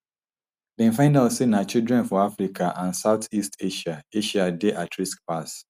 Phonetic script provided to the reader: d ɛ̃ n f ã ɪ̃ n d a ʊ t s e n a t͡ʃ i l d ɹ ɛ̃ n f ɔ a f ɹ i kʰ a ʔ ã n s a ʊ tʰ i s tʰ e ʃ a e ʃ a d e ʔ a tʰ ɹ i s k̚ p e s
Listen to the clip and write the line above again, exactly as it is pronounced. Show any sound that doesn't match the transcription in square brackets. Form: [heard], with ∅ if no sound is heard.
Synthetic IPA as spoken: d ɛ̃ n f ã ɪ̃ n d a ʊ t s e n a t͡ʃ i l d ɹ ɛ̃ n f ɔ a f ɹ i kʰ a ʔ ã n s a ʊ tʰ i s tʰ e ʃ a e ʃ a d e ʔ a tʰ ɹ i s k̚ p [a] s